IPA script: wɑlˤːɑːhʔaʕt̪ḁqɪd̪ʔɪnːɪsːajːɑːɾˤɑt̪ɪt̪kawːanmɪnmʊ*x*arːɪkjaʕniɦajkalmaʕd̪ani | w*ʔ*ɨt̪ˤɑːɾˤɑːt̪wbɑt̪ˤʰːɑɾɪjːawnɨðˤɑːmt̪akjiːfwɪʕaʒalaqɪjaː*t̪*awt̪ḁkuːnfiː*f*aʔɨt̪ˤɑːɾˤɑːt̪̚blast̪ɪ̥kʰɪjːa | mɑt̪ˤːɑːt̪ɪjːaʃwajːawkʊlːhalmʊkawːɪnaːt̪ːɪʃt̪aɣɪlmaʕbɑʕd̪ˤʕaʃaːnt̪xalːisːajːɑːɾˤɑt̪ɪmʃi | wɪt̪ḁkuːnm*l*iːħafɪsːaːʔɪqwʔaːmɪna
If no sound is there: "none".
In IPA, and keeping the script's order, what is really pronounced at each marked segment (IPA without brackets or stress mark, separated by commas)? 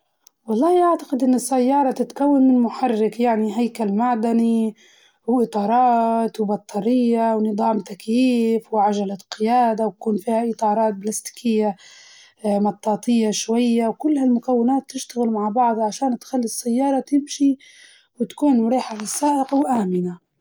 ħ, ʔ, d̪, h, ɾ